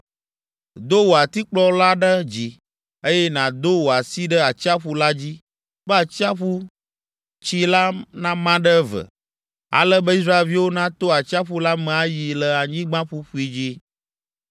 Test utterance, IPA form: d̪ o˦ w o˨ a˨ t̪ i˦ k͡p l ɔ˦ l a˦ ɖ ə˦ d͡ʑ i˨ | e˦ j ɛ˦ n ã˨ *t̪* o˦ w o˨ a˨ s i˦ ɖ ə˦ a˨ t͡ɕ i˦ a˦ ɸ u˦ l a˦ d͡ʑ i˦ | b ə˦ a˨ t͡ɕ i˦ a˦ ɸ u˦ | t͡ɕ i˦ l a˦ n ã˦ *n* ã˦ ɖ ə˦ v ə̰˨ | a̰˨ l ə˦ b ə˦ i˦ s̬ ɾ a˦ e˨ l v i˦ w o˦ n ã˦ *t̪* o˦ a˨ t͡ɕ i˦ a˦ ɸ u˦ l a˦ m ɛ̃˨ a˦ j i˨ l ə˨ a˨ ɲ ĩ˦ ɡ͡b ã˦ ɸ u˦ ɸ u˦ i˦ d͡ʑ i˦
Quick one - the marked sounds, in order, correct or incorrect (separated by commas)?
incorrect, incorrect, correct